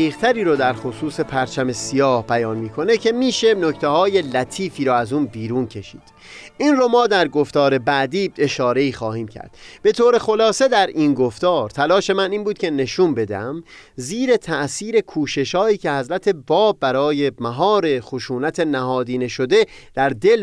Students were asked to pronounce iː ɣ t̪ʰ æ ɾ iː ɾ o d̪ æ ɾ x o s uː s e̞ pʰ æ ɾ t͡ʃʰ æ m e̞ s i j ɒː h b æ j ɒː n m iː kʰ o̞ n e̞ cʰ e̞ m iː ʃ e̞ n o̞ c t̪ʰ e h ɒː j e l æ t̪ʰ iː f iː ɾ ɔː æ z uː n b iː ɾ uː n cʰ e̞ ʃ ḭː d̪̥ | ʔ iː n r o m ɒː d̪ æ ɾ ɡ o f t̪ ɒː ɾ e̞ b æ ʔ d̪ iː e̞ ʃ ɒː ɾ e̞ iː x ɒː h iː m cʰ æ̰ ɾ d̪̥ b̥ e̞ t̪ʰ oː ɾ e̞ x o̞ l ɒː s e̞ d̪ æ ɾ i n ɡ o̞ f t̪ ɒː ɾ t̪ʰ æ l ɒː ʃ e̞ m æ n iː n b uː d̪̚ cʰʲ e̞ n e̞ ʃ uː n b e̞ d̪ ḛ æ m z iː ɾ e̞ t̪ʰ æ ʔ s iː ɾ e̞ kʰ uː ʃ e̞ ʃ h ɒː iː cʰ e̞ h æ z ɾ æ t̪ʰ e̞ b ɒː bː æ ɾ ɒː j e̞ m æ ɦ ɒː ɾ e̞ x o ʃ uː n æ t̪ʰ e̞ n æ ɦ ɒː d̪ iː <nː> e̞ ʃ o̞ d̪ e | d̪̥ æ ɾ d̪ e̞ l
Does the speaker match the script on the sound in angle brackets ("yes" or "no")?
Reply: no